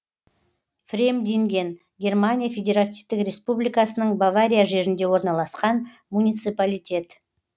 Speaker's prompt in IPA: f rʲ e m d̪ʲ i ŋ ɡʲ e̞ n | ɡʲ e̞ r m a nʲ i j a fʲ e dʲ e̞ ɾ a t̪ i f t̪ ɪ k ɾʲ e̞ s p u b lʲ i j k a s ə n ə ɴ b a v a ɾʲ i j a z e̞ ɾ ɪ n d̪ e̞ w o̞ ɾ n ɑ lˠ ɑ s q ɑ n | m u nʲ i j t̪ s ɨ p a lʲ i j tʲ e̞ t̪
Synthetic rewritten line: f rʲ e m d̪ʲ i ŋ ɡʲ e̞ n | ɡʲ e̞ r m a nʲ i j a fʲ e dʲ e̞ ɾ a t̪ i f t̪ ɪ k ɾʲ e̞ s p u b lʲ i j k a s ə n ə ɴ b a v a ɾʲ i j a ʒ e̞ ɾ ɪ n d̪ e̞ w o̞ ɾ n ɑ lˠ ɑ s q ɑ n | m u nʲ i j t̪ s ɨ p a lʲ i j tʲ e̞ t̪